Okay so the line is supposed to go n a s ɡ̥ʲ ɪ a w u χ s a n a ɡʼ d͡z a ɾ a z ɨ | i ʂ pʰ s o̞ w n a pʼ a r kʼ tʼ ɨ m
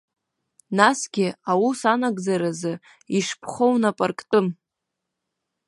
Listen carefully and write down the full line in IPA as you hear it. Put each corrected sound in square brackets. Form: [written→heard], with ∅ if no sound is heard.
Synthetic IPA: n a s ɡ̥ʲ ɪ a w u [χ→∅] s a n a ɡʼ d͡z a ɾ a z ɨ | i ʂ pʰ [s→χ] o̞ w n a pʼ a r kʼ tʼ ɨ m